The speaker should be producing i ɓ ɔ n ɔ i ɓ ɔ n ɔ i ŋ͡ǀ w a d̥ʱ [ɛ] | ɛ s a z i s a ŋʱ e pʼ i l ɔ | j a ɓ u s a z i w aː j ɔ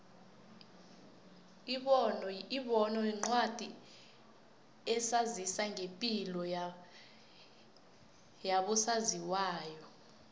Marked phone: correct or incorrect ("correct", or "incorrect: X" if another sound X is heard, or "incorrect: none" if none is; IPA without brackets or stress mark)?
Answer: incorrect: i